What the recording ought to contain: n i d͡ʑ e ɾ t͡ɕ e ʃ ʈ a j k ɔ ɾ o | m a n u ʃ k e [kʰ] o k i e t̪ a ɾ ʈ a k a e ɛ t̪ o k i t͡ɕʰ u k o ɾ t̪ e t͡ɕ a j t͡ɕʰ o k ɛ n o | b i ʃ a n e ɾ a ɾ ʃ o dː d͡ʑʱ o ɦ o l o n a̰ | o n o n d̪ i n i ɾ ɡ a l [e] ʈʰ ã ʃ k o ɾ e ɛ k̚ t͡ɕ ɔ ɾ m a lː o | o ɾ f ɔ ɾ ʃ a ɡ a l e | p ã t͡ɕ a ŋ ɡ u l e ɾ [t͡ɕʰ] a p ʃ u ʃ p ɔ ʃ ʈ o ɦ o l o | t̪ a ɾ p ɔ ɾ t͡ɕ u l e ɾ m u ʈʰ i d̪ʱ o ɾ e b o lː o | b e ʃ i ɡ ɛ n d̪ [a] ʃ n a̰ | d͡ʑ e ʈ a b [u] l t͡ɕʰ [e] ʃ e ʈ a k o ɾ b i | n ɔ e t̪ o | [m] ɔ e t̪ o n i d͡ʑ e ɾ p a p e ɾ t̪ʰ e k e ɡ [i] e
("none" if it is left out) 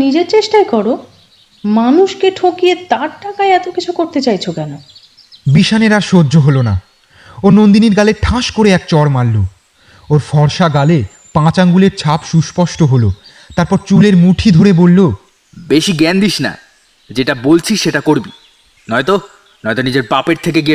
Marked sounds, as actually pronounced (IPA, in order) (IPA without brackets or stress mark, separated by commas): ʈʰ, e, t͡ɕʰ, i, o, i, n, i